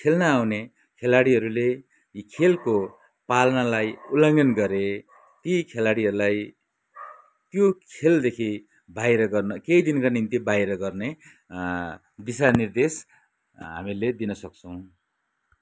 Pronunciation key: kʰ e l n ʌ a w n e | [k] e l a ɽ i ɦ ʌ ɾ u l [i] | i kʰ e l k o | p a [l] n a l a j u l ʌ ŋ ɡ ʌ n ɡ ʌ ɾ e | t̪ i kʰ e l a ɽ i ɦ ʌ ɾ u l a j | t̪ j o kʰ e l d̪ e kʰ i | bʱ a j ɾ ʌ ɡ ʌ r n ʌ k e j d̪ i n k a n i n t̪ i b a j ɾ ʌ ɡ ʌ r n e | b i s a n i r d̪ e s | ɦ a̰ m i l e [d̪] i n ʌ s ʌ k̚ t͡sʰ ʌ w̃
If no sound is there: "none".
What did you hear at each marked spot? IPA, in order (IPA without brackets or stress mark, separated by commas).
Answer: kʰ, e, l, d̪